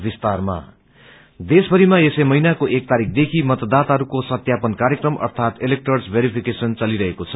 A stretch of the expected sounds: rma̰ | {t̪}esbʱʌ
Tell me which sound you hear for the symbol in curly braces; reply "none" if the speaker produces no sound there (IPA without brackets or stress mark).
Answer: d̪